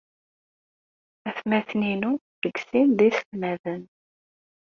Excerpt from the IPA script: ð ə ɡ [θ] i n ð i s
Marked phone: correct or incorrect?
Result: incorrect